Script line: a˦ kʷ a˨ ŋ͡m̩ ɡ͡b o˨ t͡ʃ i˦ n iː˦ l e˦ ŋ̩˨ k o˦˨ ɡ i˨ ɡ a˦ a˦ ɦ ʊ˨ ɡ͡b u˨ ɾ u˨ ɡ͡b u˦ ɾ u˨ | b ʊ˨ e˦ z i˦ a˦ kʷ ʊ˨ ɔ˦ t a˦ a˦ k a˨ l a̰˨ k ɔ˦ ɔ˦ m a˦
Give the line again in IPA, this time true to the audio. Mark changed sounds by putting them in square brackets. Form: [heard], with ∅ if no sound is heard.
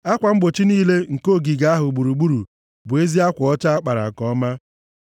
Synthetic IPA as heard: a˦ kʷ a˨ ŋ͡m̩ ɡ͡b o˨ t͡ʃ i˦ n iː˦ l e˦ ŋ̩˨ k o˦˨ ɡ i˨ ɡ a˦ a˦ ɦ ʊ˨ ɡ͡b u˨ ɾ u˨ ɡ͡b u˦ ɾ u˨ | b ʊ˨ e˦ z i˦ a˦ kʷ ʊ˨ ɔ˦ [t͡ʃ] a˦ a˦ [k͡p] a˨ [ɾ] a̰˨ k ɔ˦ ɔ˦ m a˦